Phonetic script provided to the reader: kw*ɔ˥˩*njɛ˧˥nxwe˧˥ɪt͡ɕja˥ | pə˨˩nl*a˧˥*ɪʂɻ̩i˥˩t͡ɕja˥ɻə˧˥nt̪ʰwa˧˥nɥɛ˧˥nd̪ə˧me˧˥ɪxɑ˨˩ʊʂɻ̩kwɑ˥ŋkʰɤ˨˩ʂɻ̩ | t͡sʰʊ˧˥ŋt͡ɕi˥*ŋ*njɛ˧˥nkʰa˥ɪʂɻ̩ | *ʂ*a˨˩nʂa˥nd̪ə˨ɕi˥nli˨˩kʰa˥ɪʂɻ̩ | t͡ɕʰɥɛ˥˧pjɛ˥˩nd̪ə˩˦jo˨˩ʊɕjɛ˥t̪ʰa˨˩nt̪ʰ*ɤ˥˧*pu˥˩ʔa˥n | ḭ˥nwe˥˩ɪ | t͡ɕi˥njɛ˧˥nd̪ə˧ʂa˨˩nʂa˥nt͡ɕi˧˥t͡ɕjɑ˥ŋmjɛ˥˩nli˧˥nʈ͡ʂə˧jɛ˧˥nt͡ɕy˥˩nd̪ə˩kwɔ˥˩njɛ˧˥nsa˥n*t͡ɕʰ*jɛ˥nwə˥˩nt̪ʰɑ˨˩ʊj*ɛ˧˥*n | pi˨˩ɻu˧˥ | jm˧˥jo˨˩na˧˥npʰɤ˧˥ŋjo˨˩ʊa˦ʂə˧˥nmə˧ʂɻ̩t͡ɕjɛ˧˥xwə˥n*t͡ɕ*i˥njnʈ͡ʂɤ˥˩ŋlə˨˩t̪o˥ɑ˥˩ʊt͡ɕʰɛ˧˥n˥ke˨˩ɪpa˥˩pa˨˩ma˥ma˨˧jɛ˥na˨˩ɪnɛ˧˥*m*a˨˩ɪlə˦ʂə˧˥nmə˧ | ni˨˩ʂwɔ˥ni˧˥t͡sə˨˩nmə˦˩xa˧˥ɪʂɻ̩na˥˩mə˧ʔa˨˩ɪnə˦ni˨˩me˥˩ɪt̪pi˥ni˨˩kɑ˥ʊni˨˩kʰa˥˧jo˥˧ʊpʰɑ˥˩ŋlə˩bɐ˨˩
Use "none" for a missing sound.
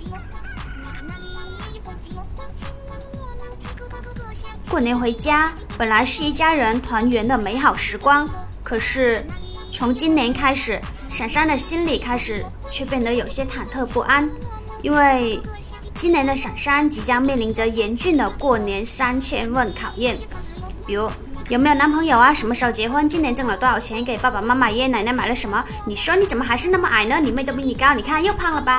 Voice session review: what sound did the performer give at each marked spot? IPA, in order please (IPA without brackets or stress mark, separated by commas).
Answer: ɔ˥˩, a˧˥, n, ʂ, ɤ˥˧, t͡ɕʰ, ɛ˥˩, t͡ɕ, m